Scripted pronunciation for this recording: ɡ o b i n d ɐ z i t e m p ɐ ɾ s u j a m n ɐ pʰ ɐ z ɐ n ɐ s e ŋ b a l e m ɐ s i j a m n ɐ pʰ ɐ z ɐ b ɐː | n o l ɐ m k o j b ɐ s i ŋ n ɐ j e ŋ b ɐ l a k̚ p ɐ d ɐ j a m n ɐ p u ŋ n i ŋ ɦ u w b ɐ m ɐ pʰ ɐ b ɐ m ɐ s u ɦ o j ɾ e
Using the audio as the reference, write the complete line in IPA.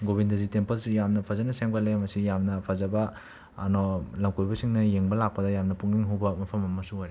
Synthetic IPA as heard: ɡ o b i n d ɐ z i t e m p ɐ l s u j a m n ɐ pʰ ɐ z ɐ n ɐ s e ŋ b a l e m ɐ s i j a m n ɐ pʰ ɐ z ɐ b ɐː | n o l ɐ m k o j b ɐ s i ŋ n ɐ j e ŋ b ɐ l a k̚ p ɐ d ɐ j a m n ɐ p u ŋ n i ŋ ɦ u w b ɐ m ɐ pʰ ɐ m ɐ m ɐ s u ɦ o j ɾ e